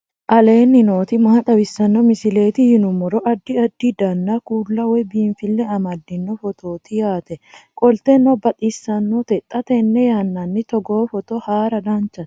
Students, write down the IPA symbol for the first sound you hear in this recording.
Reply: ʔ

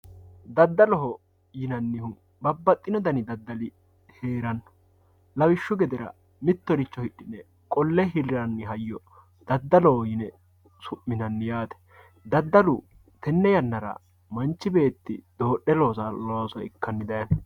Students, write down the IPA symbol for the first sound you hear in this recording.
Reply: d̪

